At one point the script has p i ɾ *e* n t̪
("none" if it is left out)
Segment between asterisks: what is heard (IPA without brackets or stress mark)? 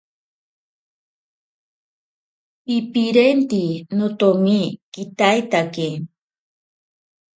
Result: e